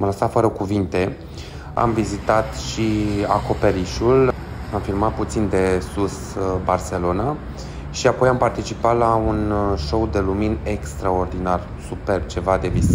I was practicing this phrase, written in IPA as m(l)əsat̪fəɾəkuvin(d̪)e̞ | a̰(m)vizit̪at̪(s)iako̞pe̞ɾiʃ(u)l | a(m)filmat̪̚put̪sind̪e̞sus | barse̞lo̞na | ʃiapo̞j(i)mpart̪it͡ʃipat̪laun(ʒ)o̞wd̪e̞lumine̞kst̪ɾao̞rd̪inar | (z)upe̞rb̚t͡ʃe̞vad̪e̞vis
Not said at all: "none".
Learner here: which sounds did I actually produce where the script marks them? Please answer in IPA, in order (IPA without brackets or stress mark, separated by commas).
l, t̪, m, ʃ, u, m, a, ʃ, s